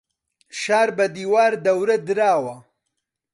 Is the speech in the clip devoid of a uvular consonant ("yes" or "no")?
yes